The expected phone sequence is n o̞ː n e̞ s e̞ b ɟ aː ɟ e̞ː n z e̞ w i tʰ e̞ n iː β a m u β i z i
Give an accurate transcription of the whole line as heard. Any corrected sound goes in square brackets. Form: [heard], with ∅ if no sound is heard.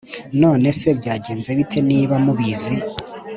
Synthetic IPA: n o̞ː n e̞ s e̞ b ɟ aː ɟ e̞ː n z e̞ [β] i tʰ e̞ n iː β a m u β i z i